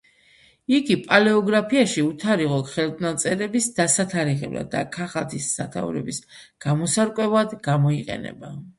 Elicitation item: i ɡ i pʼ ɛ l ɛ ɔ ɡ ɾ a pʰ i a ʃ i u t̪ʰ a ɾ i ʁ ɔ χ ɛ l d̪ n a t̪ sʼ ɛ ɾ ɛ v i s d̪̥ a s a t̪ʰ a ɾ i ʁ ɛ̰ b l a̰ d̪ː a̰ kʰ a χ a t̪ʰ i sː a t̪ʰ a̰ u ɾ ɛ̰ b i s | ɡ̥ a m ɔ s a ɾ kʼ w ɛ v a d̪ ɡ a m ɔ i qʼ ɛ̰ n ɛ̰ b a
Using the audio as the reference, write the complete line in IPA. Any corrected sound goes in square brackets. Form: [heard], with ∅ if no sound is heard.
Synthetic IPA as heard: i ɡ i pʼ [a] l ɛ ɔ ɡ ɾ a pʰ i a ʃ i u t̪ʰ a ɾ i ʁ ɔ χ ɛ l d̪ n a t̪ sʼ ɛ ɾ ɛ [b] i s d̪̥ a s a t̪ʰ a ɾ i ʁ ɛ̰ b l a̰ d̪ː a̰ kʰ a χ a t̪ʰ i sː a t̪ʰ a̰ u ɾ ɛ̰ b i s | ɡ̥ a m ɔ s a ɾ kʼ w ɛ v a d̪ ɡ a m ɔ i qʼ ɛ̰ n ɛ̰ b a